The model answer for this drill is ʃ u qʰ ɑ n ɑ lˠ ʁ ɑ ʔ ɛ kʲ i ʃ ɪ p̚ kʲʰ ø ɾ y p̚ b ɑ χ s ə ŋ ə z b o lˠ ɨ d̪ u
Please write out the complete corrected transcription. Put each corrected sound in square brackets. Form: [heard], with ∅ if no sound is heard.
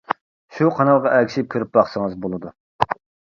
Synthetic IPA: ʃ u qʰ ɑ n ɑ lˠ ʁ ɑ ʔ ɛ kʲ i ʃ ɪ p̚ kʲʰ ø ɾ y p̚ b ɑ χ s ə ŋ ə z b o lˠ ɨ d̪ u